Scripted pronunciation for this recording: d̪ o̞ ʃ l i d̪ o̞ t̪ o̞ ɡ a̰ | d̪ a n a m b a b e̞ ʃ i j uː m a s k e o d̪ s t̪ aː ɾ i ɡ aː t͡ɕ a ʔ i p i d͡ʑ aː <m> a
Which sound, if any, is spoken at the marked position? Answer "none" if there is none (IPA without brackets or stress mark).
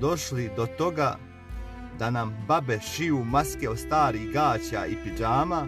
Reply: m